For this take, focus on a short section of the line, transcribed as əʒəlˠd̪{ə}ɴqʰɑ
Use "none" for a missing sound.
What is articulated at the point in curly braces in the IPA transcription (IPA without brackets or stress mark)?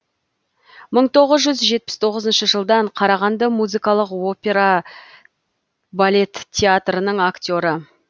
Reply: ɑ